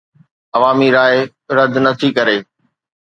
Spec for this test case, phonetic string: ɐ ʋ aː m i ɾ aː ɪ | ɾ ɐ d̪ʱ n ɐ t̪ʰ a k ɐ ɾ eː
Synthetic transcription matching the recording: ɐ ʋ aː m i ɾ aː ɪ | ɾ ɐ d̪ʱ n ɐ t̪ʰ i k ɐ ɾ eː